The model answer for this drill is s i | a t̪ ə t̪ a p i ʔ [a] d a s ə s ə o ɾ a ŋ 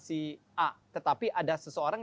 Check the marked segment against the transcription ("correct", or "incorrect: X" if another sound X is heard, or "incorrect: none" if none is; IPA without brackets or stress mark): correct